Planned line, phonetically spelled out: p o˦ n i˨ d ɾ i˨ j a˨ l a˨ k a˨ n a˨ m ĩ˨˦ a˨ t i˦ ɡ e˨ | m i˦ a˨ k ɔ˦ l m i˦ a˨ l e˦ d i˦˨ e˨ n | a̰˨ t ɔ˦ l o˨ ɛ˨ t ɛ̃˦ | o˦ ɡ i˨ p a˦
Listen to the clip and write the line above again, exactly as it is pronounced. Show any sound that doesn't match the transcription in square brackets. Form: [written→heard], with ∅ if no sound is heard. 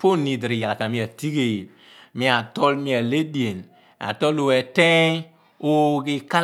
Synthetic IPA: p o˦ n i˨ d ɾ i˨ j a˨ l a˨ k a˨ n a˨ m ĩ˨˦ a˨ t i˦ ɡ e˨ | m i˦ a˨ [k→t] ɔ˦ l m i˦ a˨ l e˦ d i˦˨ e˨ n | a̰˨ t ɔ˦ l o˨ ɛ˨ t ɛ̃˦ | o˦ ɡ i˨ [p→k] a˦